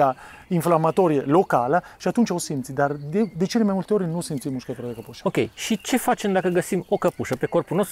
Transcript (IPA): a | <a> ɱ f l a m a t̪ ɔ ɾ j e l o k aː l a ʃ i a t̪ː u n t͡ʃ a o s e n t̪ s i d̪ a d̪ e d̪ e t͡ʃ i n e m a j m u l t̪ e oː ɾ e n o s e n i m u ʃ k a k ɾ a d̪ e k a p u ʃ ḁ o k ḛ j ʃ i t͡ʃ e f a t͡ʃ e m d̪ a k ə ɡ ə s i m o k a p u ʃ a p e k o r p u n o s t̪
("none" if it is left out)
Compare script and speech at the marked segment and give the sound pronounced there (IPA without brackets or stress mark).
i